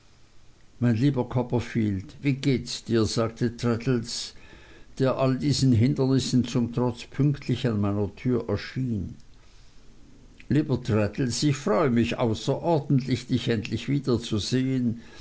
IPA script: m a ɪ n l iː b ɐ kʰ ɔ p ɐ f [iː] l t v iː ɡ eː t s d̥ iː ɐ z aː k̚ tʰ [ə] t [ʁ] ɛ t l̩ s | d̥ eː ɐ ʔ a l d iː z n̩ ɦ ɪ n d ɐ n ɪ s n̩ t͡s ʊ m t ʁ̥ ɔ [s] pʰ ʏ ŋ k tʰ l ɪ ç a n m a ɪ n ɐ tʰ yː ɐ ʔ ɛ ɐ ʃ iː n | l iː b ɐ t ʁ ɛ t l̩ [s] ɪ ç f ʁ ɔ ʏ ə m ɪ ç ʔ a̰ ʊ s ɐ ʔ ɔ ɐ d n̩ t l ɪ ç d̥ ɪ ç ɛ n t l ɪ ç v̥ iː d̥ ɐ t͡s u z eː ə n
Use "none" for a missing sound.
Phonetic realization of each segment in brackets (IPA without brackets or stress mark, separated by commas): iː, ə, ʁ, t͡s, s